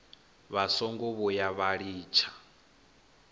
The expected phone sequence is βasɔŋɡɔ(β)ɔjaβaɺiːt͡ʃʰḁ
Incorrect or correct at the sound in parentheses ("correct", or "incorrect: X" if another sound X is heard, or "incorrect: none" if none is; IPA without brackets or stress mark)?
correct